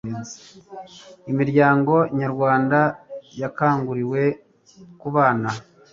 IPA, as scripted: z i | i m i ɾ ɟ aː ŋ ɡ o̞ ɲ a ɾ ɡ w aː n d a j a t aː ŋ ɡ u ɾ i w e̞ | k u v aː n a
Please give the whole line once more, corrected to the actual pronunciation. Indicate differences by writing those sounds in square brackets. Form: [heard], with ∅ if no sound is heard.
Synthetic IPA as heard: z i | i m i ɾ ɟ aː ŋ ɡ o̞ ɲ a ɾ ɡ w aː n d a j a [k] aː ŋ ɡ u ɾ i w e̞ | k u [β] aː n a